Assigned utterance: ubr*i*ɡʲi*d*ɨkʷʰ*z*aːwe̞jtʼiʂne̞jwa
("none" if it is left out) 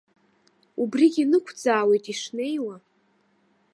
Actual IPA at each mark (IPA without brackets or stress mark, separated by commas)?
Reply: i, n, d͡z